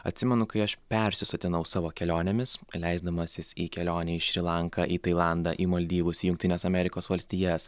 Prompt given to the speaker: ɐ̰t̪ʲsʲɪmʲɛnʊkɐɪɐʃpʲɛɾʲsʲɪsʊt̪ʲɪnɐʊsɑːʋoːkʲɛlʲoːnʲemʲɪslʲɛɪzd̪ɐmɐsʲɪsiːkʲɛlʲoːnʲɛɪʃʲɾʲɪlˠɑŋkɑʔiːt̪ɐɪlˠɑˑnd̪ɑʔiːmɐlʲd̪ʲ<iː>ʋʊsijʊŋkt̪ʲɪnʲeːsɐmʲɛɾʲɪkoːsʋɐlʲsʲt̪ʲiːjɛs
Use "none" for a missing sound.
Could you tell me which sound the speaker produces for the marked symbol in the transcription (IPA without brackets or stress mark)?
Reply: iː